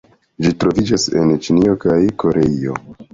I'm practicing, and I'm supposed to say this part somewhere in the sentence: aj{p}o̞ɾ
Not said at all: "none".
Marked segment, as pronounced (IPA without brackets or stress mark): k